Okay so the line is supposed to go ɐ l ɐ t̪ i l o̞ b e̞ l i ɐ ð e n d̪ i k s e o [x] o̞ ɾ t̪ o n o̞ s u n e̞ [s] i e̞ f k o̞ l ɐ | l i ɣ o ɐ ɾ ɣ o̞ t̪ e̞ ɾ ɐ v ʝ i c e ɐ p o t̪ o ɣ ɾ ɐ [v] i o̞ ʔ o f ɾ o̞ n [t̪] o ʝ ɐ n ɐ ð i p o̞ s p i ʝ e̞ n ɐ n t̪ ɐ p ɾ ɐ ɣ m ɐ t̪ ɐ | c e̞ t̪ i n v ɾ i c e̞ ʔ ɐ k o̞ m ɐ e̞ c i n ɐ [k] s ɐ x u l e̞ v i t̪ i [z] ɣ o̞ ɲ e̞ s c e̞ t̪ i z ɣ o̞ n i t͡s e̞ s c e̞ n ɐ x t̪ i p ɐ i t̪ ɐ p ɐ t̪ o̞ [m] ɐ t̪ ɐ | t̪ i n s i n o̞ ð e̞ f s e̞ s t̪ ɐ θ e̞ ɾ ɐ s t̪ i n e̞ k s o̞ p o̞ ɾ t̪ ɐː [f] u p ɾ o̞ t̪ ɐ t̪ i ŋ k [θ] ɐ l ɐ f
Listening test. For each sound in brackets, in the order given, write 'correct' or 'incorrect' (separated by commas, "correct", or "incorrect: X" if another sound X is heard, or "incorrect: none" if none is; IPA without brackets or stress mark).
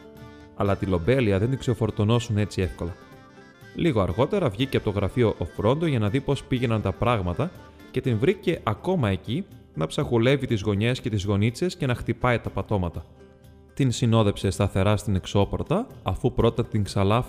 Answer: incorrect: f, incorrect: t͡s, incorrect: f, incorrect: d̪, incorrect: p, correct, correct, correct, incorrect: s